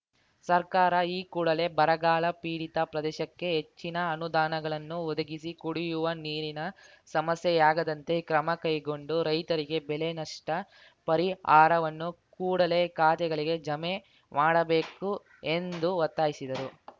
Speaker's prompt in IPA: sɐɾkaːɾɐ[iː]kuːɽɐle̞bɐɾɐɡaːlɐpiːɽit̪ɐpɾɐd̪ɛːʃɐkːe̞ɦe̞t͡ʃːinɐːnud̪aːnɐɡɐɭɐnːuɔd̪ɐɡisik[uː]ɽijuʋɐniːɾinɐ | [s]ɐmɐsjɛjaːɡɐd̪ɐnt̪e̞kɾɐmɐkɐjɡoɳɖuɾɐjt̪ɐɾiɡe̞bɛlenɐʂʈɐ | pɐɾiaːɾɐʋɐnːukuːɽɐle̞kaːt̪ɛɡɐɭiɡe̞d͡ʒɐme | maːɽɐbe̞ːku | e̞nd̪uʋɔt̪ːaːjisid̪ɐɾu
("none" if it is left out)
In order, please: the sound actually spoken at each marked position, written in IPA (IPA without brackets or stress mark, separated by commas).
iː, u, s